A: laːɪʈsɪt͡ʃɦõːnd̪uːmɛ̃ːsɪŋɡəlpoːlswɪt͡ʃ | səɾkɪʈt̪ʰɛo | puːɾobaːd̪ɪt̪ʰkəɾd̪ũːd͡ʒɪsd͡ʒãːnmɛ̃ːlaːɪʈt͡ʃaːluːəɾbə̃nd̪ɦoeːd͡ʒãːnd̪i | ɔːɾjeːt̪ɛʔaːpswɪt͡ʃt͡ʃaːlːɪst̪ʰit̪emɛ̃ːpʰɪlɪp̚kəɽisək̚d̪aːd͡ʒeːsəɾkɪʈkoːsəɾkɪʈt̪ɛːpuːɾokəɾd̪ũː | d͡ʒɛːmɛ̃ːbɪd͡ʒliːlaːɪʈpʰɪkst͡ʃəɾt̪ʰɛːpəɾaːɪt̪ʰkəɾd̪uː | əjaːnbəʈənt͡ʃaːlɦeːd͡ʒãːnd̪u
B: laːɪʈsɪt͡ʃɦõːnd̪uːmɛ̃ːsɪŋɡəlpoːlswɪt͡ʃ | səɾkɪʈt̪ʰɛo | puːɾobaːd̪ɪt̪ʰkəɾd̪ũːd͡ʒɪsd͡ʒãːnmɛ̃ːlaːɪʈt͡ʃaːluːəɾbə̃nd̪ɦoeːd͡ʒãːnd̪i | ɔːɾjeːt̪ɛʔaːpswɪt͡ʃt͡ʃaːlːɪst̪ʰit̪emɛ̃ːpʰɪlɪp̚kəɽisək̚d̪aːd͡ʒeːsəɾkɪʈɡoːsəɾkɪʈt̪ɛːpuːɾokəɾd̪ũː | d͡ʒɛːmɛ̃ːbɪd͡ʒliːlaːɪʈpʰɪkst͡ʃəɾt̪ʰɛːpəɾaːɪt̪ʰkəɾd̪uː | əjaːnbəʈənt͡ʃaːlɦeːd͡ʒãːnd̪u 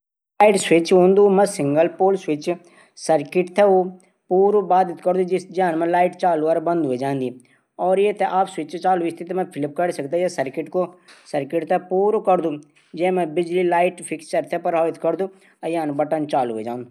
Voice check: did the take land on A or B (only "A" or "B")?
A